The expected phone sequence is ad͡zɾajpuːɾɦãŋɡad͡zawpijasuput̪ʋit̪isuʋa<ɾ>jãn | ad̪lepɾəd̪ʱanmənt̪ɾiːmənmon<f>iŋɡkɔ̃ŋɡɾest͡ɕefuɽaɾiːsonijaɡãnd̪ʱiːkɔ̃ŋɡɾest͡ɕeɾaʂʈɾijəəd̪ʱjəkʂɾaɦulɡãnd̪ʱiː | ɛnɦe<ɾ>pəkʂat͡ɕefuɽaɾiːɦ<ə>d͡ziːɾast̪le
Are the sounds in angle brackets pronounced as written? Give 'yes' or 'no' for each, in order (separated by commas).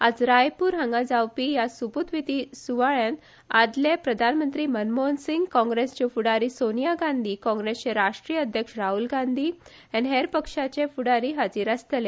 no, no, yes, no